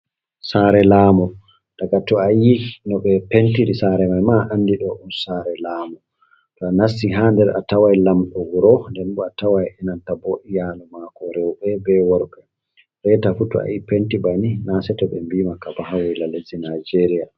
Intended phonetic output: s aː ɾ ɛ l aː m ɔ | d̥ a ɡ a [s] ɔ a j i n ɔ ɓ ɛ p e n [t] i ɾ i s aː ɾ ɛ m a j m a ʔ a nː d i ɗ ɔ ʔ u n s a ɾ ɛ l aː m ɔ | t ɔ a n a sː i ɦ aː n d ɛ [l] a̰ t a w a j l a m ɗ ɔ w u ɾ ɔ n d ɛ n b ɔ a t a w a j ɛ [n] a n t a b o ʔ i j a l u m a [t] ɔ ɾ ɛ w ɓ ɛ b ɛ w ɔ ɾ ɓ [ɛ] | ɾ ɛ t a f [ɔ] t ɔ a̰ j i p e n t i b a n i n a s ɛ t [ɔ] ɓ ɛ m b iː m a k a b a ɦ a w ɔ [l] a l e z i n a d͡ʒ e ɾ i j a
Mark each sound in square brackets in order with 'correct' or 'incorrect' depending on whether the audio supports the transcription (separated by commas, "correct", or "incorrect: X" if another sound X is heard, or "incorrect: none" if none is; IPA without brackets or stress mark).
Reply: incorrect: t, correct, incorrect: ɾ, correct, incorrect: k, correct, incorrect: u, correct, correct